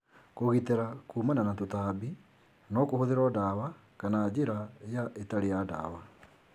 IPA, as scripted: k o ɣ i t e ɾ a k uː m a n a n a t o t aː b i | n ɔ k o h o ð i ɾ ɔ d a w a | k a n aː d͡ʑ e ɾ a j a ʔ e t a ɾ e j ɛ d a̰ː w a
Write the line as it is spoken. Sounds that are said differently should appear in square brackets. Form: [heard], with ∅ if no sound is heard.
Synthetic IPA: k o ɣ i t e ɾ a k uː m a n a n a t o t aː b i | n ɔ k o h o ð [e] ɾ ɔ d a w a | k a n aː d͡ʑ e ɾ a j a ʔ e t a ɾ e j [a] d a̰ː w a